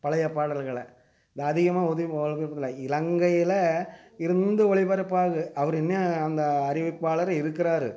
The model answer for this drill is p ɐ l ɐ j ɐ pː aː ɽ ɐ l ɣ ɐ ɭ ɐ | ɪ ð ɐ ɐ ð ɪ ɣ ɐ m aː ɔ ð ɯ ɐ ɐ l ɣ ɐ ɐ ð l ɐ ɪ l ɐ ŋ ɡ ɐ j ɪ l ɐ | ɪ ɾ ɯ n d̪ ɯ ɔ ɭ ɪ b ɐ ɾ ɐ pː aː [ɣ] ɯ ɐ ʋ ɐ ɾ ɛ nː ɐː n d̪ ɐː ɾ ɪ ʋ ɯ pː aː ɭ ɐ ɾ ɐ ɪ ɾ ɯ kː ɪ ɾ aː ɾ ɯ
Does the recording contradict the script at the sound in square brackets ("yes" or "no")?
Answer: no